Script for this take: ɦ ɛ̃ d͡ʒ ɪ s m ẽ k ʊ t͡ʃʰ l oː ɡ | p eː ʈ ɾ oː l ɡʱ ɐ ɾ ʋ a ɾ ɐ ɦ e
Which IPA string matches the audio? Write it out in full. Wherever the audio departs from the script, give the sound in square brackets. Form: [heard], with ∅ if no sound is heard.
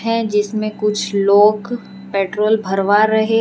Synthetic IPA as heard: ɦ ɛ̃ d͡ʒ ɪ s m ẽ k ʊ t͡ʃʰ l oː ɡ | p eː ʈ ɾ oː l [bʱ] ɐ ɾ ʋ a ɾ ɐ ɦ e